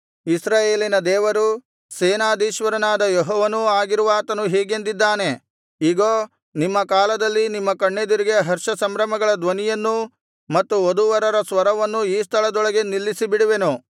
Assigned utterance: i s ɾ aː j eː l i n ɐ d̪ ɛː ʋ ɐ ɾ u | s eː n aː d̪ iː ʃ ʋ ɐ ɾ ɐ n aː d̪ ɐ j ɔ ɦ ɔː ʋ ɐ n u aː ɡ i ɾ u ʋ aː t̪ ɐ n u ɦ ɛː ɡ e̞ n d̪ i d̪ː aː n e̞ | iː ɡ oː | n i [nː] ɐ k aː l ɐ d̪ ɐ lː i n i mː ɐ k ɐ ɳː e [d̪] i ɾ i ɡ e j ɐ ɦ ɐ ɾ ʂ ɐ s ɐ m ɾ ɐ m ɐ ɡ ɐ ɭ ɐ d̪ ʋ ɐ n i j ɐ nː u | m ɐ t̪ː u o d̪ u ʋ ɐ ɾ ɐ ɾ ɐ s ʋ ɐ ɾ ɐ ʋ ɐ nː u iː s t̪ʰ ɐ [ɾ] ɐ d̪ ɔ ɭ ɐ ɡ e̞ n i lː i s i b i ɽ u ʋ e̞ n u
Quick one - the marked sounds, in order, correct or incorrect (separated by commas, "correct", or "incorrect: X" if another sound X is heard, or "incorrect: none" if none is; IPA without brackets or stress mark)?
incorrect: mː, correct, incorrect: ɭ